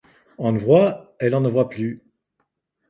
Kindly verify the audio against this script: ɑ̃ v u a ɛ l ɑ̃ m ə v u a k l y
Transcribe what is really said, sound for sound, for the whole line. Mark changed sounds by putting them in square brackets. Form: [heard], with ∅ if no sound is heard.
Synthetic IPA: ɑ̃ v [w] a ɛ l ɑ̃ [n] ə v [w] a [p] l y